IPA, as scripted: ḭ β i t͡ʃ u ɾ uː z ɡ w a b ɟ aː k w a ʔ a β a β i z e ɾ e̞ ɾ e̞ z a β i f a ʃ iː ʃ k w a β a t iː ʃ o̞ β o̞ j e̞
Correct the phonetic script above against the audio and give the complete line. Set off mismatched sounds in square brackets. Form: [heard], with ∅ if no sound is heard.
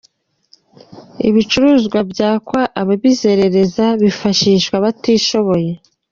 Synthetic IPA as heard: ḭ β i t͡ʃ u ɾ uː z ɡ w a b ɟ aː k w a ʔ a β a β i z e ɾ e̞ ɾ e̞ z a β i f a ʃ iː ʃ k w a β a t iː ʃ o̞ β o̞ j e̞

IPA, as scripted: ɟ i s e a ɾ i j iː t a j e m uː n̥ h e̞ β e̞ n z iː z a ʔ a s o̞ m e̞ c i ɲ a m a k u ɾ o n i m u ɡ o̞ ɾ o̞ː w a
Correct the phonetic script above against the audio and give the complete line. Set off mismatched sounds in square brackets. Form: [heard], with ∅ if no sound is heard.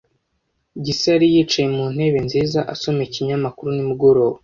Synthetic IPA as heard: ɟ i s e a ɾ i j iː [t͡ʃ] a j e m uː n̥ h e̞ β e̞ n z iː z a ʔ a s o̞ m e̞ c i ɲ a m a k u ɾ [u] n i m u ɡ o̞ ɾ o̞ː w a

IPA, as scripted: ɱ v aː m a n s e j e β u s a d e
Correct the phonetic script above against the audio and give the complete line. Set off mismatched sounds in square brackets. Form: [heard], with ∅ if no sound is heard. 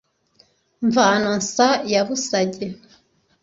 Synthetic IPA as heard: ɱ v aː [n] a n s [a] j [a] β u s a [ɟ] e

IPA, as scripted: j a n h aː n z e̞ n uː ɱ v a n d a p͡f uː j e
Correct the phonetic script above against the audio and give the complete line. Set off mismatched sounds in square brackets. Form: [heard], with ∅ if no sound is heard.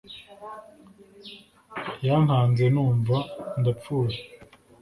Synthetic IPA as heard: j a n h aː n z e̞ n uː ɱ v a n d a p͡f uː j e

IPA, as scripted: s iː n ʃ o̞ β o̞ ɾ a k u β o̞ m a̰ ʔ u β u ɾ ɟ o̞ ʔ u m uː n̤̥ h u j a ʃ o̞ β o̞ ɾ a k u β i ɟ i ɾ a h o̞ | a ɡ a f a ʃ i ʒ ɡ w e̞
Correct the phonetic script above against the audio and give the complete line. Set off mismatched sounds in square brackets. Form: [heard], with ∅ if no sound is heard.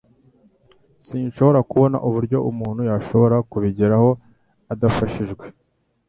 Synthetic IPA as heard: s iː n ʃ o̞ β o̞ ɾ a k u β o̞ [n] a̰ ʔ u β u ɾ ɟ o̞ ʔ u m uː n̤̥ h u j a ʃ o̞ β o̞ ɾ a k u β i ɟ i ɾ a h o̞ | a [d] a f a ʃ i ʒ ɡ w e̞

